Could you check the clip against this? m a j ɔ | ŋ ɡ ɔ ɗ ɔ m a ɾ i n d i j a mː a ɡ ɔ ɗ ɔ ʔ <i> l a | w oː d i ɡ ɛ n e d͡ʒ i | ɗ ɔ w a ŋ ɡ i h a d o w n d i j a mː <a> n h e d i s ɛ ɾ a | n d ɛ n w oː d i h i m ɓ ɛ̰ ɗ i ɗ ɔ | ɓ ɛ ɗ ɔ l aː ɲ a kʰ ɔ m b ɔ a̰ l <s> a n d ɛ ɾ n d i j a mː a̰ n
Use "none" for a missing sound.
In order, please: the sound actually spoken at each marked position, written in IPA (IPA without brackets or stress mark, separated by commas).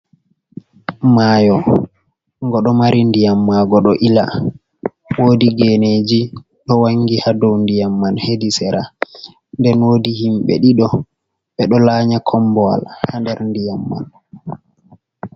i, a, h